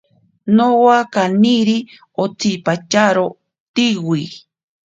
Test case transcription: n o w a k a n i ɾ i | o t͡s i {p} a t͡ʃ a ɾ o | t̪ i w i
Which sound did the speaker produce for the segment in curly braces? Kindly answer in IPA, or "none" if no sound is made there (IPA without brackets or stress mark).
p